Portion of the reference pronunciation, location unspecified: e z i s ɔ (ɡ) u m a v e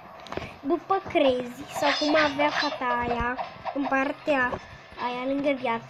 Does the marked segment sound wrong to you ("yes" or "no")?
yes